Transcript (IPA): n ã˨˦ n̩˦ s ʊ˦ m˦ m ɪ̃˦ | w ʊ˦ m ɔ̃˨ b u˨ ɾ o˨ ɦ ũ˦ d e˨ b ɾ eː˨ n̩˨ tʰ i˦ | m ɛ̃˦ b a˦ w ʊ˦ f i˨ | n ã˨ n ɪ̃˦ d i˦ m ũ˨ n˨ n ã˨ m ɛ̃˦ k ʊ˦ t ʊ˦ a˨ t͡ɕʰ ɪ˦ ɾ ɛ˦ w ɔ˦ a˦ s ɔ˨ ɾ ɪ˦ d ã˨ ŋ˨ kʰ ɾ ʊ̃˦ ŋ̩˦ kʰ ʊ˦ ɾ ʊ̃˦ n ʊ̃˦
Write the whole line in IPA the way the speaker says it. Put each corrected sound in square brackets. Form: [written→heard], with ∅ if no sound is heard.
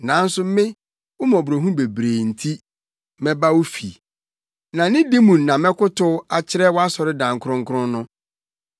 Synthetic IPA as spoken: n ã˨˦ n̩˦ s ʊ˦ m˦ m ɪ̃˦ | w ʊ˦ m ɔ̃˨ b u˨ ɾ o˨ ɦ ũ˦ [d→b] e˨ b ɾ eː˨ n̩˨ tʰ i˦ | m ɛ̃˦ b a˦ w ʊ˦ f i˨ | n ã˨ n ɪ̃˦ d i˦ m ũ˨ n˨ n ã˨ m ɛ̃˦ k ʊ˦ t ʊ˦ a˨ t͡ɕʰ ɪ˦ ɾ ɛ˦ w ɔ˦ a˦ s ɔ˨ ɾ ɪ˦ d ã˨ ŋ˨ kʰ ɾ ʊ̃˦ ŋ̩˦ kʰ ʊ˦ ɾ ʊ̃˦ n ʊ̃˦

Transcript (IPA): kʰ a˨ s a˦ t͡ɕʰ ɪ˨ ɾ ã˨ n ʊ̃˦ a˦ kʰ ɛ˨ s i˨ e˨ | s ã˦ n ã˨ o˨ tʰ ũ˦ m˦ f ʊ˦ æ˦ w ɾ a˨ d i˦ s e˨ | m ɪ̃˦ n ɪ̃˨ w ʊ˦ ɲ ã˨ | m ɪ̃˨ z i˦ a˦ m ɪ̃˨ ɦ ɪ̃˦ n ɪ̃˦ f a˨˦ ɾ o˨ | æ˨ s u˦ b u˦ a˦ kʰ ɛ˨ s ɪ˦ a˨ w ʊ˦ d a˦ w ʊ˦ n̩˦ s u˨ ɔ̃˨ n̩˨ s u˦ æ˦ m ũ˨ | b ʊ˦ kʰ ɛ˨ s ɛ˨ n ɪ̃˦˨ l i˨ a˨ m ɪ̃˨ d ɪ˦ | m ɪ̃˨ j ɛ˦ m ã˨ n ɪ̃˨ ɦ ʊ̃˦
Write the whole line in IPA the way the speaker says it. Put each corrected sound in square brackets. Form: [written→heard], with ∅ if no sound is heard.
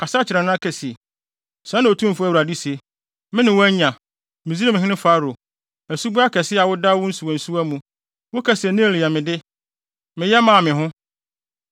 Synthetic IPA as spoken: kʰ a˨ s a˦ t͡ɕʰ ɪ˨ ɾ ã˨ n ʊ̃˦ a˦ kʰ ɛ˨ s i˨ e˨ | s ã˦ n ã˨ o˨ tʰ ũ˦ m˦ f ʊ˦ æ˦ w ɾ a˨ d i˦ s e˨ | m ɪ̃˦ n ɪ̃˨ w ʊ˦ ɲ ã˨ | m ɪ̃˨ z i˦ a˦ m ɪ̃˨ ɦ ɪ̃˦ n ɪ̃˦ f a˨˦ ɾ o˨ | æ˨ s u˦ b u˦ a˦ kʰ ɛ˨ s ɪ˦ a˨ w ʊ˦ d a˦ w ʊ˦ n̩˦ s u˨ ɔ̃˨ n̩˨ s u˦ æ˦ m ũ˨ | [b→w] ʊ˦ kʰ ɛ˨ s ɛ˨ n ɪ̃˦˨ l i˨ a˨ m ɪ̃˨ d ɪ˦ | m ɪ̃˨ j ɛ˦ m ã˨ [n→m] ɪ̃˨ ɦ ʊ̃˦

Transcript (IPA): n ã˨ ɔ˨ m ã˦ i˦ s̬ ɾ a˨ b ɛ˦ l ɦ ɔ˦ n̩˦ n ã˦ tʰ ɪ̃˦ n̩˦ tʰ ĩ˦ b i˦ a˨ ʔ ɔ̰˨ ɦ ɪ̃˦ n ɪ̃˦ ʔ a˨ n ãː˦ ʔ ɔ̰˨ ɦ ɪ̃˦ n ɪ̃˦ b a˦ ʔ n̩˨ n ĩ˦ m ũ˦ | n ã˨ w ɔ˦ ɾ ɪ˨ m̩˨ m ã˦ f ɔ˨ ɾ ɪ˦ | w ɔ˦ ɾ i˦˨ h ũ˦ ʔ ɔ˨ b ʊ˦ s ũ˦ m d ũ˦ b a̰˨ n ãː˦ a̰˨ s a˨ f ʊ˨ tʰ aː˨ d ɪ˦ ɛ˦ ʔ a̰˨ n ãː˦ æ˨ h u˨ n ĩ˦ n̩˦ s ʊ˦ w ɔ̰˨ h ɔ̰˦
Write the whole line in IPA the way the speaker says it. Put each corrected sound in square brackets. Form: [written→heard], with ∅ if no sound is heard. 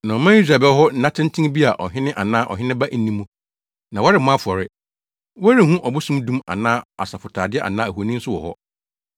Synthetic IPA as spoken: n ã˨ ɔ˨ m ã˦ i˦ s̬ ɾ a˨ b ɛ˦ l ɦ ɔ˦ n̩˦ n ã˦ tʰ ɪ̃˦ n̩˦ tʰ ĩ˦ b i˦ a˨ ʔ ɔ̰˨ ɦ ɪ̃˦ n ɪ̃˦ ʔ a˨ n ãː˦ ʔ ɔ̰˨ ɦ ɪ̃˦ n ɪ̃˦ b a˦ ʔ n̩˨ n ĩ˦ m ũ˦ | n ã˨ w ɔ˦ ɾ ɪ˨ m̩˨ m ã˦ f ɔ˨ ɾ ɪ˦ | w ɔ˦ ɾ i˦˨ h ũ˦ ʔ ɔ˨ b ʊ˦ s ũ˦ m d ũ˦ [b→m] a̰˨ n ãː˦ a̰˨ s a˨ f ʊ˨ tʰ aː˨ d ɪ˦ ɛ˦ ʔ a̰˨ n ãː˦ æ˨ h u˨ n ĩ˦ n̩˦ s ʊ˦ w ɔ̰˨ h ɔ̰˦

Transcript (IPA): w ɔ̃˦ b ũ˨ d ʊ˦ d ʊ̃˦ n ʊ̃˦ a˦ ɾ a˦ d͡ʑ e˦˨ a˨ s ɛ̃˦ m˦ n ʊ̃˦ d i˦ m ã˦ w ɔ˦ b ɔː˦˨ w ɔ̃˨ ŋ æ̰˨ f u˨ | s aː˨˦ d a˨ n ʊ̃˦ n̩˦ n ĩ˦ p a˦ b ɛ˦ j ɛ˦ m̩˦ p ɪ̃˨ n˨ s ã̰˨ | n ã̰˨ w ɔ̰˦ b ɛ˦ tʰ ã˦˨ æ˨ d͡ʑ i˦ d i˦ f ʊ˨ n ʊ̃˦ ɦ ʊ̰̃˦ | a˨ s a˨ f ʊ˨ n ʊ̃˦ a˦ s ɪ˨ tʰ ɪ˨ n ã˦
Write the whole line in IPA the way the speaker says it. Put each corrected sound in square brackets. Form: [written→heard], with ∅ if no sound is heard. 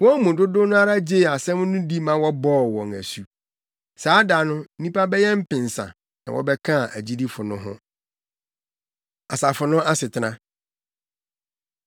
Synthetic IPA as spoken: w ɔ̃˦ [b→m] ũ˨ d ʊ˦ d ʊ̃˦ n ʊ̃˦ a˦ ɾ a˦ d͡ʑ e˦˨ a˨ s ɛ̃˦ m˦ n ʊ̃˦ d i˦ m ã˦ w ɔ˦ b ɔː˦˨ w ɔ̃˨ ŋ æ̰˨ [f→s] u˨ | s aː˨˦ d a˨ n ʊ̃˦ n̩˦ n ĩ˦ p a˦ b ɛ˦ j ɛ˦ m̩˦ p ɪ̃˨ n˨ s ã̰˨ | n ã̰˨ w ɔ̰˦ b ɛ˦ [tʰ→kʰ] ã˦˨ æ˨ d͡ʑ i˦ d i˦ f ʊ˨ n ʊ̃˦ ɦ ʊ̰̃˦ | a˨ s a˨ f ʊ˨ n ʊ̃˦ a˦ s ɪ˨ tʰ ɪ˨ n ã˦

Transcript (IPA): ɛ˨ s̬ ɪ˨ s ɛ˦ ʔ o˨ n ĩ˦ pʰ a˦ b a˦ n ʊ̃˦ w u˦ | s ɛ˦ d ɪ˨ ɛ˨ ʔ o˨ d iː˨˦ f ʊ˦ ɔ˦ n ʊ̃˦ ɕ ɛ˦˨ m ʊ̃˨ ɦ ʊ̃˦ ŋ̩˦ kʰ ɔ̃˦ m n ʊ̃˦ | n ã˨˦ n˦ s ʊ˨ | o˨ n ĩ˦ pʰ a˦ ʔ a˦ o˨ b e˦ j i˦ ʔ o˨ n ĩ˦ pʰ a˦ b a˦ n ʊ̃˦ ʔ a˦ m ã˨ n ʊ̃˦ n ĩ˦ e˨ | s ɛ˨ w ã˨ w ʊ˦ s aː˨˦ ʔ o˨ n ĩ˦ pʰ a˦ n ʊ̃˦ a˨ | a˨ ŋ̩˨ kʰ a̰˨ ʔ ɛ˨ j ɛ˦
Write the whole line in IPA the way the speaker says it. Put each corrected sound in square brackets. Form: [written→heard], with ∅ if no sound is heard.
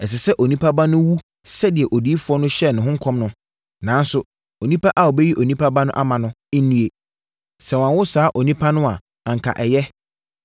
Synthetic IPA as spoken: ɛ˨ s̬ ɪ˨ s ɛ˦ ʔ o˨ n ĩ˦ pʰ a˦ b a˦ n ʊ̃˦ w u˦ | s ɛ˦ d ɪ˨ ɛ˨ ʔ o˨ d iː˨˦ f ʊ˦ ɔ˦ n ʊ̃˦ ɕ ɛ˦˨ [m→n] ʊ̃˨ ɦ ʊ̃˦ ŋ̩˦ kʰ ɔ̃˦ m n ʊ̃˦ | n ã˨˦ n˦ s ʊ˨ | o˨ n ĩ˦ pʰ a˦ ʔ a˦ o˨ b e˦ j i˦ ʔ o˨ n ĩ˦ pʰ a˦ b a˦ n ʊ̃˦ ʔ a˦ m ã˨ n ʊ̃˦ n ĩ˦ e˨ | s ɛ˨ w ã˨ w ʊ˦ s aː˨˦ ʔ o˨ n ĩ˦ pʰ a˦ n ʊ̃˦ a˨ | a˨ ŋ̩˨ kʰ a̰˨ ʔ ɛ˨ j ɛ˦

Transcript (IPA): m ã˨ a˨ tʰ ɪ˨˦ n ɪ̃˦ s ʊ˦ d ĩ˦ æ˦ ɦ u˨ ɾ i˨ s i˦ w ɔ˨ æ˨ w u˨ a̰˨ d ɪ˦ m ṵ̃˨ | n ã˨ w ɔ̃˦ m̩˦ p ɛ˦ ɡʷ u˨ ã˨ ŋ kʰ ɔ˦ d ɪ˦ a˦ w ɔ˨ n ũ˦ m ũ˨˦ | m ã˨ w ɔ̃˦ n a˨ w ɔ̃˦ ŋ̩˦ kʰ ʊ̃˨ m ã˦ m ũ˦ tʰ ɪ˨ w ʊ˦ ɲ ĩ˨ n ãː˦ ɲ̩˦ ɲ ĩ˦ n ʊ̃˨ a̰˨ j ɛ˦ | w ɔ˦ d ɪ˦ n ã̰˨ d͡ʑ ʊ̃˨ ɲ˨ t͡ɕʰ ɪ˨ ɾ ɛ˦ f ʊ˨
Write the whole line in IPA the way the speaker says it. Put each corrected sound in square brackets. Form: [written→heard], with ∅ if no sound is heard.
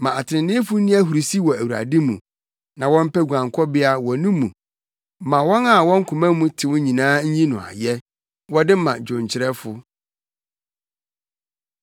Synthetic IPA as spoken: m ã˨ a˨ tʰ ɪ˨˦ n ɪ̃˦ [s→f] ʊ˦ [d→n] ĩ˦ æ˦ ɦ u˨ ɾ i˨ s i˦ w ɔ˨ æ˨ w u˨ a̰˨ d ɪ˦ m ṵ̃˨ | n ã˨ w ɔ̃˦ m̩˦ p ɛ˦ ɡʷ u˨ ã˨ ŋ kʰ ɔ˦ [d→b] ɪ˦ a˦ w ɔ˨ n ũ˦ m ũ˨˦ | m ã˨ w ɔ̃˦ n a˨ w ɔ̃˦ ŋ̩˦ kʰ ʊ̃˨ m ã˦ m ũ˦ tʰ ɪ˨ w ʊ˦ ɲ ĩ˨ n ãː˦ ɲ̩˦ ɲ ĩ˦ n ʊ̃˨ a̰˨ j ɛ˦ | w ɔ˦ d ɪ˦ [n→m] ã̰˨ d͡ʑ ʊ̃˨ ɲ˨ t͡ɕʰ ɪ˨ ɾ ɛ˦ f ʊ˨

